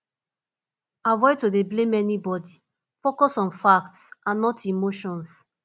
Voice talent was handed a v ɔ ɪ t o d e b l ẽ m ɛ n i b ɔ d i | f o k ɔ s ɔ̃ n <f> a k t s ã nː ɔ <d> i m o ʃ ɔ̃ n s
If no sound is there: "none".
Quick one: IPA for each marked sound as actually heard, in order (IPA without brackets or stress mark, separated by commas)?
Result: f, t